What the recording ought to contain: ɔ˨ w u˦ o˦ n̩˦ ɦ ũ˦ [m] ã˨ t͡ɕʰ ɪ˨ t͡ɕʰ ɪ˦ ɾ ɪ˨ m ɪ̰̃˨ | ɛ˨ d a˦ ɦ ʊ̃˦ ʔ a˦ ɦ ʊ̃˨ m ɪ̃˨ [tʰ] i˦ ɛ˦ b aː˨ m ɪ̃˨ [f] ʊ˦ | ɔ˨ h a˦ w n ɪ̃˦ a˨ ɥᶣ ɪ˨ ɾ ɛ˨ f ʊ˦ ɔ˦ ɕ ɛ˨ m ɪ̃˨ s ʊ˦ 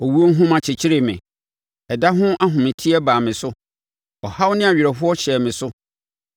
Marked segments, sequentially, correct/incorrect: correct, correct, incorrect: s

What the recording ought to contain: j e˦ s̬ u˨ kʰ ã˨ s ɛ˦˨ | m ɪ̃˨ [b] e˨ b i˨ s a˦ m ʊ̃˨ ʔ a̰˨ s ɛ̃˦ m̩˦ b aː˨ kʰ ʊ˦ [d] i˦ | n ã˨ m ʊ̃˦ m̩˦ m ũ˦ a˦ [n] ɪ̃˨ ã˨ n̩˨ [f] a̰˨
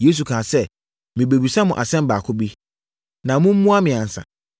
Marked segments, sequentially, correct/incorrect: correct, incorrect: b, incorrect: m, incorrect: s

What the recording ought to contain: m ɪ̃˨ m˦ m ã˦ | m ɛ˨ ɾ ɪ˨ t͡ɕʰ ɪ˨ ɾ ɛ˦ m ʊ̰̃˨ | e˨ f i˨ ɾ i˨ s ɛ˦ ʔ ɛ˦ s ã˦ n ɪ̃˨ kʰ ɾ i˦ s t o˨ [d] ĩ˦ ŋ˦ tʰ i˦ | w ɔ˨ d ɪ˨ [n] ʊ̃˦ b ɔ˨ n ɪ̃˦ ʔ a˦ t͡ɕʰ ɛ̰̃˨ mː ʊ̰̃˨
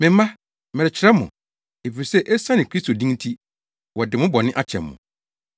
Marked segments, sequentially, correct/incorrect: correct, incorrect: m

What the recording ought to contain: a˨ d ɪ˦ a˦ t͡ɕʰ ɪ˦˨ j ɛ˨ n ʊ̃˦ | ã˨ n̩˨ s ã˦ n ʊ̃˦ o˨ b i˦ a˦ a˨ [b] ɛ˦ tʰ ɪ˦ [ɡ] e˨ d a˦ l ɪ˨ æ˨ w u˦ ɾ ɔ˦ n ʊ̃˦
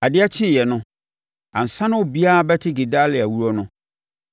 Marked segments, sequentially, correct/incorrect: correct, correct

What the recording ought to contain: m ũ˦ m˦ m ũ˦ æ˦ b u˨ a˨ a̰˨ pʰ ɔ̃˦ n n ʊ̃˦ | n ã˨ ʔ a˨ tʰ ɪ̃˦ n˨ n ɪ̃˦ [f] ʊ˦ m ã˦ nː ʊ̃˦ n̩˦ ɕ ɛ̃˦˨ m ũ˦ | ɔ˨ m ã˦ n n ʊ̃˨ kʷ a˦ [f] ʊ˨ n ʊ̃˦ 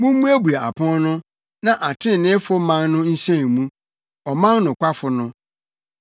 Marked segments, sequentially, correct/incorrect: correct, correct

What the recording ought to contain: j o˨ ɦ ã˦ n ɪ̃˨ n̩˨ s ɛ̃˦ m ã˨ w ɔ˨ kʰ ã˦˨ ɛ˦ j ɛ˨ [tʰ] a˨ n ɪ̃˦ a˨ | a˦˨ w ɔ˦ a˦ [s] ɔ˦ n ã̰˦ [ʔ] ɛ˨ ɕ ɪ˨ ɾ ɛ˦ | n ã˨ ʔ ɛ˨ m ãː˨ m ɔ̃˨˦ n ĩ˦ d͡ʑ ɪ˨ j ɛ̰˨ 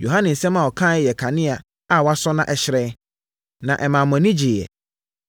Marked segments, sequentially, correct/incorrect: incorrect: kʰ, correct, correct

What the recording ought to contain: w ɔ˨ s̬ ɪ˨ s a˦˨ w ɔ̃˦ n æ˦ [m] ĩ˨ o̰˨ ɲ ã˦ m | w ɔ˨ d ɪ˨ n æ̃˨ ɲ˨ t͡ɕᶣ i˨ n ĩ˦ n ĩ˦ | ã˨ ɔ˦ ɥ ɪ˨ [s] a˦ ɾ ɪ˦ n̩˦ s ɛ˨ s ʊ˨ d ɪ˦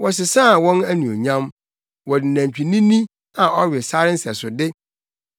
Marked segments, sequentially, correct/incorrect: incorrect: n, correct

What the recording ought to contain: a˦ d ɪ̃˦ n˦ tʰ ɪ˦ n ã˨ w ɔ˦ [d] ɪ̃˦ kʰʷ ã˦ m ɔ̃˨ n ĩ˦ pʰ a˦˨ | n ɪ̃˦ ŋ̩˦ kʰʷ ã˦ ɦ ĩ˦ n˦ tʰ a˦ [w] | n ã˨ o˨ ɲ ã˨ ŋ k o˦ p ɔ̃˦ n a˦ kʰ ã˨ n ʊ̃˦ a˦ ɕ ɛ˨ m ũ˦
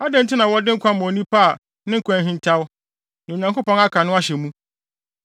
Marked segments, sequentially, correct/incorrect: correct, correct

